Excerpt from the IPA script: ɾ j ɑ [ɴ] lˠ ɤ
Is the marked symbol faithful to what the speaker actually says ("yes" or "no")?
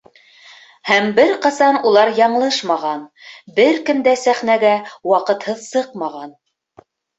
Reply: yes